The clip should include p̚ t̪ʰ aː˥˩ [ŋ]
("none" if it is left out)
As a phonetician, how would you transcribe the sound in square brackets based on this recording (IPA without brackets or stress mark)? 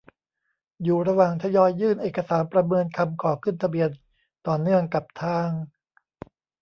ŋ